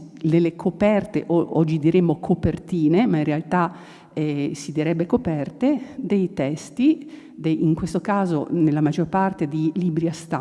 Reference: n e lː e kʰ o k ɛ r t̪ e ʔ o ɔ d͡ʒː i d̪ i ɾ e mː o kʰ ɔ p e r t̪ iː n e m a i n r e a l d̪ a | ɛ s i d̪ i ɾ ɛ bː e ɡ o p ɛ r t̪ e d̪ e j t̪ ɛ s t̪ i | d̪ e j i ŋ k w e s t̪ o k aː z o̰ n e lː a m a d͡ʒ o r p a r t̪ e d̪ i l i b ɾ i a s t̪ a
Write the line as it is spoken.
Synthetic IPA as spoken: n e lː e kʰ o p ɛ r t̪ e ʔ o ɔ d͡ʒː i d̪ i ɾ e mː o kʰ o p e r t̪ iː n e m a i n r e a l t̪ a | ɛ s i d̪ i ɾ ɛ bː e k o p ɛ r t̪ e d̪ e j t̪ ɛ s t̪ i | d̪ e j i ŋ k w e s t̪ o k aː z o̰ n e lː a m a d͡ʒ o r p a r t̪ e d̪ i l i b ɾ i a s t̪ a